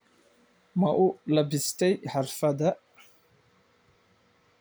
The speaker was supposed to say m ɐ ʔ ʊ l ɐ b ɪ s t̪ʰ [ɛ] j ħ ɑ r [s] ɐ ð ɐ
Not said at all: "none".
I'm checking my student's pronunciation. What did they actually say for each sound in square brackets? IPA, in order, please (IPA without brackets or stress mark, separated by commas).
ɛ, f